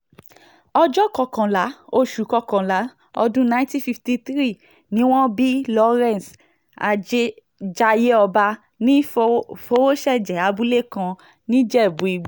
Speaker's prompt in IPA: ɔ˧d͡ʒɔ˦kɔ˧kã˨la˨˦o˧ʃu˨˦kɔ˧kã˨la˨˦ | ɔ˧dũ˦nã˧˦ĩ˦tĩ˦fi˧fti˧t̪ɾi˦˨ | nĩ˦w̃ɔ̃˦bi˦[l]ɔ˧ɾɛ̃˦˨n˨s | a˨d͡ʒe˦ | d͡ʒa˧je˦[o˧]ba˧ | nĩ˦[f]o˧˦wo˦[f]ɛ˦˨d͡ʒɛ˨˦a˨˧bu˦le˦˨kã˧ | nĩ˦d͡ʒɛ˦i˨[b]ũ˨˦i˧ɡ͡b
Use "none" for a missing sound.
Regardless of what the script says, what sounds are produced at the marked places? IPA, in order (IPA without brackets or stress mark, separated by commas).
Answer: l, ɔ˧, f, ʃ, b